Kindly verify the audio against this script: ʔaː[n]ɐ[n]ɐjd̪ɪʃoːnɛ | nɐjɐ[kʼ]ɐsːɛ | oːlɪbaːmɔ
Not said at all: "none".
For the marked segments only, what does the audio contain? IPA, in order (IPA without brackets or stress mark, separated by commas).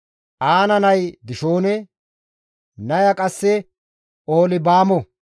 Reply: n, n, kʼ